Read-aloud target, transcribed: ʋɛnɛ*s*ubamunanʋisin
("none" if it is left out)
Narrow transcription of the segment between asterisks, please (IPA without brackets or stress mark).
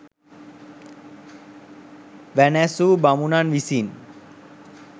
s